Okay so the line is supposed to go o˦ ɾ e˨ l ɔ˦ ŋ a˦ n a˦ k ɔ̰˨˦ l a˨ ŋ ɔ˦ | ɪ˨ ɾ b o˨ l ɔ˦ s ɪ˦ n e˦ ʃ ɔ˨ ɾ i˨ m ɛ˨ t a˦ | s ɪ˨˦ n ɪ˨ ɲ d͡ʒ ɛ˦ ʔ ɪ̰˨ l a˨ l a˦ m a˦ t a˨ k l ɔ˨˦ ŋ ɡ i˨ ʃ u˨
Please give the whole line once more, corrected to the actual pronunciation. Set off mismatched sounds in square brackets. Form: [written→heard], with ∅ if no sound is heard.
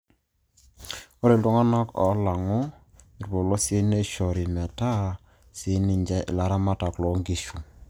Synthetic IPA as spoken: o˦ ɾ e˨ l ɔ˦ ŋ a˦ n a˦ k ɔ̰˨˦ l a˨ ŋ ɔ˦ | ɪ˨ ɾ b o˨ l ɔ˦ s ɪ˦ n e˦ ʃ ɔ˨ ɾ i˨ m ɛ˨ t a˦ | s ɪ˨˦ n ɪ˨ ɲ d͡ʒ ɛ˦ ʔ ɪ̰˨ l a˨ [l→ɾ] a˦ m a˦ t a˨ k l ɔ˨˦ ŋ ɡ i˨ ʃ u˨